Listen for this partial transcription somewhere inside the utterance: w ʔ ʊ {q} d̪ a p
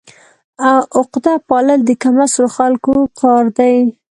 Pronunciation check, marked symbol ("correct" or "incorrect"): correct